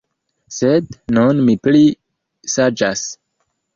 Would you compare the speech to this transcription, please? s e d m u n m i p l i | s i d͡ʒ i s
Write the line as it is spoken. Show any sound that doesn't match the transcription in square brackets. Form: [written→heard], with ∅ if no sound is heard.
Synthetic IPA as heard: s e d [m→n] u n m i p l i | s [i→a] d͡ʒ [i→a] s